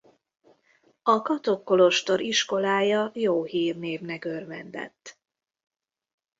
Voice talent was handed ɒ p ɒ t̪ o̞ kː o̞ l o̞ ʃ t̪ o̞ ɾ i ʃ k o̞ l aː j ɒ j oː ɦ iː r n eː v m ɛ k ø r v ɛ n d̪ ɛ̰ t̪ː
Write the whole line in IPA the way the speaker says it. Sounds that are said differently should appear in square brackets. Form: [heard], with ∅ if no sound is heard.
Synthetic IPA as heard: ɒ [k] ɒ t̪ o̞ kː o̞ l o̞ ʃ t̪ o̞ ɾ i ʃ k o̞ l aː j ɒ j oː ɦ iː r n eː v [n] ɛ k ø r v ɛ n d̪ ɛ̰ t̪ː